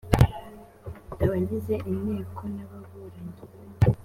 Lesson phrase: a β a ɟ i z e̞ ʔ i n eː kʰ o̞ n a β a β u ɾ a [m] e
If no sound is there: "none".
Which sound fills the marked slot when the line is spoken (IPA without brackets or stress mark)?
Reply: ɲ